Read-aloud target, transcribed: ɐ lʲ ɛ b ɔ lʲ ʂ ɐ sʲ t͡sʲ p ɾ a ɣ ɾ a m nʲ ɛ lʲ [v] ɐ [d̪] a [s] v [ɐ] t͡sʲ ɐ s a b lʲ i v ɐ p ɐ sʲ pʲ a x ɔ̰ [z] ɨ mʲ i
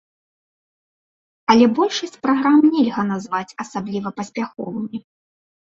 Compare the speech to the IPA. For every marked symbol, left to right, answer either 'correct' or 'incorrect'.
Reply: incorrect, incorrect, incorrect, incorrect, incorrect

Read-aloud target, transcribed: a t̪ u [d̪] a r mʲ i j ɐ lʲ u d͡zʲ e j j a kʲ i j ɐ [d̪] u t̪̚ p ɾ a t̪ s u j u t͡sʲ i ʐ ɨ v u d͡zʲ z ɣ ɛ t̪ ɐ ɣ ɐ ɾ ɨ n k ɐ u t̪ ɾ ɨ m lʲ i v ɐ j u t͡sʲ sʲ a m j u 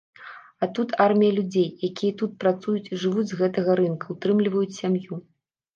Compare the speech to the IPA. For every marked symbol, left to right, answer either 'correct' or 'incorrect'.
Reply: incorrect, incorrect

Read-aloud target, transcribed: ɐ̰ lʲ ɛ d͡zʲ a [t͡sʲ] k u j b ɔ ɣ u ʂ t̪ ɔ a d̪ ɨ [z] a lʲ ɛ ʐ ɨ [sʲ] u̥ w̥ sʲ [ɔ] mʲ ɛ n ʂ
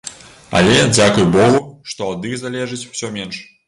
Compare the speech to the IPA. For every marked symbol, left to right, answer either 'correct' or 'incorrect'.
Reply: incorrect, correct, incorrect, correct

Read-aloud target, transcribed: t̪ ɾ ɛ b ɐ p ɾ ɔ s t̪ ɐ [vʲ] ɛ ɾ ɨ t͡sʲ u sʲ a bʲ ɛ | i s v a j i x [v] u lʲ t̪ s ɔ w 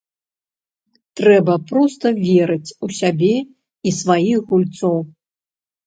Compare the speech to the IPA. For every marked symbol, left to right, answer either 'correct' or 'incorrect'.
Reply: correct, incorrect

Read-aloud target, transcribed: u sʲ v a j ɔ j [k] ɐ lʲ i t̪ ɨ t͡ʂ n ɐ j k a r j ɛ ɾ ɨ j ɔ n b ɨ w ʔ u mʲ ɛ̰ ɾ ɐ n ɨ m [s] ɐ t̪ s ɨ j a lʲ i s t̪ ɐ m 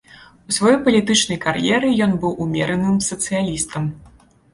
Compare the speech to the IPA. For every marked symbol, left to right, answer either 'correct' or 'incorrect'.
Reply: incorrect, correct

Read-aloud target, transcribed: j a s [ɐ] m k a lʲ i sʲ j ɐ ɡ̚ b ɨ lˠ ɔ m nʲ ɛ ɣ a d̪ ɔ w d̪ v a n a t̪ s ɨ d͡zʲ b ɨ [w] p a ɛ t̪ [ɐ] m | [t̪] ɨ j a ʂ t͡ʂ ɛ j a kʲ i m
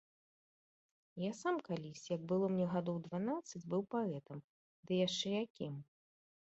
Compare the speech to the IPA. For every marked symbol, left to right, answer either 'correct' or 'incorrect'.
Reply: incorrect, correct, correct, incorrect

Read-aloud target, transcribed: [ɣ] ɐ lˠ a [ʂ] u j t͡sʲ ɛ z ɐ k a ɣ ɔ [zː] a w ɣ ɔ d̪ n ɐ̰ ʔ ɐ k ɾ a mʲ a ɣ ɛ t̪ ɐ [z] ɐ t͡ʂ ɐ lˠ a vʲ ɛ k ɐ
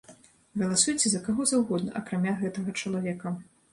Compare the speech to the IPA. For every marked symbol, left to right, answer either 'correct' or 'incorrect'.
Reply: correct, incorrect, incorrect, incorrect

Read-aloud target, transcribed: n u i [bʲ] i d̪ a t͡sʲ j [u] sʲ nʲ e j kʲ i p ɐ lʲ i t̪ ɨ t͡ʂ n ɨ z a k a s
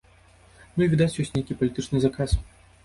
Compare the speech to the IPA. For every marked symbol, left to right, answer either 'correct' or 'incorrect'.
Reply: incorrect, incorrect

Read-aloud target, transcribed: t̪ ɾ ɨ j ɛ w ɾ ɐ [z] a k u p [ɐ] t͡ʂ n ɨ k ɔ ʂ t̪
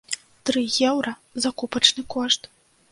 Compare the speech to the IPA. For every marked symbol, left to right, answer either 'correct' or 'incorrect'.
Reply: correct, correct

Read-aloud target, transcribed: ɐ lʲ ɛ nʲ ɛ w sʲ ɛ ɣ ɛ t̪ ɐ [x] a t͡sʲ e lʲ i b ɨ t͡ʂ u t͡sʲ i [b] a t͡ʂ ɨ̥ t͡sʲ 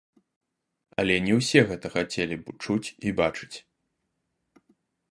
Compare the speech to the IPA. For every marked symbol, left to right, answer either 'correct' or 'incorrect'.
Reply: correct, correct

